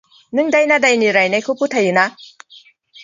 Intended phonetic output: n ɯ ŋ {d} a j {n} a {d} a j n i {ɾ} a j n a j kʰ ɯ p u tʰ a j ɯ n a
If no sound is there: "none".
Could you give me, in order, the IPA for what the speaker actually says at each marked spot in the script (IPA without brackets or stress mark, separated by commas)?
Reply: d, n, d, ɾ